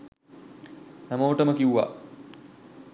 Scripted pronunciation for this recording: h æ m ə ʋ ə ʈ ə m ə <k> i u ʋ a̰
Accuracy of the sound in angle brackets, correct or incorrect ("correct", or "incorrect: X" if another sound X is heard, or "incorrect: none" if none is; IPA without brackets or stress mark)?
correct